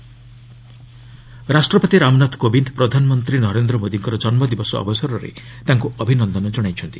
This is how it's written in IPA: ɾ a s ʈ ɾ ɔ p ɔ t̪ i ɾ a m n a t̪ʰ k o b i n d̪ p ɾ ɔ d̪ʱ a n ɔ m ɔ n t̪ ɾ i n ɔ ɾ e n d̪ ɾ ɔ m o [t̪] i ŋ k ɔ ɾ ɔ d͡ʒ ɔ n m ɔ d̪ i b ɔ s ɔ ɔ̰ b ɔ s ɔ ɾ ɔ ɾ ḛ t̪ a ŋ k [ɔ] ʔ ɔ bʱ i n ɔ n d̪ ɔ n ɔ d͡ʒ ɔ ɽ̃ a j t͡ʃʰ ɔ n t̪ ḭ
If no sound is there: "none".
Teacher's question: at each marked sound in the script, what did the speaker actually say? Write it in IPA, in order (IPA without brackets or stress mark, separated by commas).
d̪, u